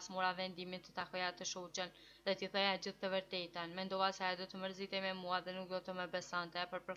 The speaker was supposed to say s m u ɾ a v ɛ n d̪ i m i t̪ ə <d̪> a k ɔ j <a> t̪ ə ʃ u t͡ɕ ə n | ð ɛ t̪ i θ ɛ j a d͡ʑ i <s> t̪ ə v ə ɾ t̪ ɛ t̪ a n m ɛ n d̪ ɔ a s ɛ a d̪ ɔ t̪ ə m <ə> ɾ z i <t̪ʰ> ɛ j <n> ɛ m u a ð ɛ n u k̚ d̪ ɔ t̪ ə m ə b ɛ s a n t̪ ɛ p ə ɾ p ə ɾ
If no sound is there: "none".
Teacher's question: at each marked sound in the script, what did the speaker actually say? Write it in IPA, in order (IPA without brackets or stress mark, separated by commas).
t̪, a, θ, ə, t̪, m